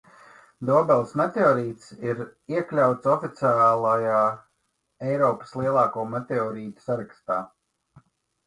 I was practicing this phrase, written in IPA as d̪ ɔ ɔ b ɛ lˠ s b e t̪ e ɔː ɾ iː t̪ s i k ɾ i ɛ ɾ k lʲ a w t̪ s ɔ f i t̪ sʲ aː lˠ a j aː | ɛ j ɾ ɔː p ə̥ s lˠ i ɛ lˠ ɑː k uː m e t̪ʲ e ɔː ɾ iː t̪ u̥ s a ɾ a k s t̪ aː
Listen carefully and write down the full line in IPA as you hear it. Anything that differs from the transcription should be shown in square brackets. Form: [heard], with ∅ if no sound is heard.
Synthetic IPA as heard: d̪ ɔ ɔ b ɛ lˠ s [m] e t̪ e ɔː ɾ iː t̪ s i [∅] ɾ i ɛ [∅] k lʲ a w t̪ s ɔ f i t̪ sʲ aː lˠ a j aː | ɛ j ɾ ɔː p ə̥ s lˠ i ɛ lˠ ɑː k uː m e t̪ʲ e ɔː ɾ iː t̪ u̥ s a ɾ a k s t̪ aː